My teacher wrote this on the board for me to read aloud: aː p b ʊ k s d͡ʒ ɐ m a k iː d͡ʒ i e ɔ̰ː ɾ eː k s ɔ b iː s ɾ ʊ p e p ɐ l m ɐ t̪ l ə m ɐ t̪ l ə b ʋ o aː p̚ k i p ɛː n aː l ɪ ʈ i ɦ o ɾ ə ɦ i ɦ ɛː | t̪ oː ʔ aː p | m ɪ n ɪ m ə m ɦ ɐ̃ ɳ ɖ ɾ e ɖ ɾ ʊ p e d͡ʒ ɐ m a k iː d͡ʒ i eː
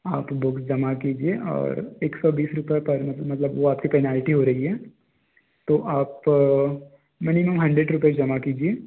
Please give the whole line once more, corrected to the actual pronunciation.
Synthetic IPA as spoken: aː p b ʊ k s d͡ʒ ɐ m a k iː d͡ʒ i e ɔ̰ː ɾ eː k s ɔ b iː s ɾ ʊ p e p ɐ ɾ m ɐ t̪ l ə m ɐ t̪ l ə b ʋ o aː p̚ k i p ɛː n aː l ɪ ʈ i ɦ o ɾ ɐ ɦ i ɦ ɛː | t̪ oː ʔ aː p | m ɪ n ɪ m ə m ɦ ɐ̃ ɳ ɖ ɾ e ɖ ɾ ʊ p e d͡ʒ ɐ m a k iː d͡ʒ i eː